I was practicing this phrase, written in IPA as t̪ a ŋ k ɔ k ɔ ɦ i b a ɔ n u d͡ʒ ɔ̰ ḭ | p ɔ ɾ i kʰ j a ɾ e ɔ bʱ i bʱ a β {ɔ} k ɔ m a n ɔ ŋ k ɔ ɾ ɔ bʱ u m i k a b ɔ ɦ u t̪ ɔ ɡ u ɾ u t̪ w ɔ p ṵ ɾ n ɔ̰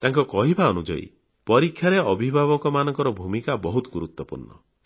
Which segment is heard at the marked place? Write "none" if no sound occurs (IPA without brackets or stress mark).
ɔ